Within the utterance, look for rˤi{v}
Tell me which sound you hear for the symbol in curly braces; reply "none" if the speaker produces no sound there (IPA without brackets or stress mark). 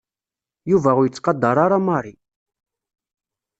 none